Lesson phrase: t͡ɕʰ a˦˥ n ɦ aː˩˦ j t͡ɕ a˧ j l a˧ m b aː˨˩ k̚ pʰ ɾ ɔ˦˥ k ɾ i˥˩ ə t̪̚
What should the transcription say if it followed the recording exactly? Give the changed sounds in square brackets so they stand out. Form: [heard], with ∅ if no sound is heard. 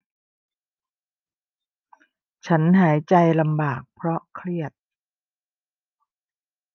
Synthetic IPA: t͡ɕʰ a˦˥ n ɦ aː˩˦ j t͡ɕ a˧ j l a˧ m b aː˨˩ k̚ pʰ ɾ ɔ˦˥ [kʰ] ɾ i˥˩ ə t̪̚